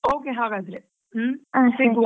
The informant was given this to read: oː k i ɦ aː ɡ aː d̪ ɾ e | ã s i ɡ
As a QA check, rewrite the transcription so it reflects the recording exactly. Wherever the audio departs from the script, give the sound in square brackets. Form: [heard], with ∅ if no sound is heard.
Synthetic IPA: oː k [e] ɦ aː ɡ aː d̪ ɾ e | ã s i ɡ